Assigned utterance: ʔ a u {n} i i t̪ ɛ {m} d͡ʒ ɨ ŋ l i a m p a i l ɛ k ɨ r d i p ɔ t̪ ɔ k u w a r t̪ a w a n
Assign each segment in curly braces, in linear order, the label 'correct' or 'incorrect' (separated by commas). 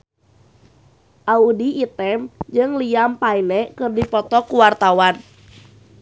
incorrect, correct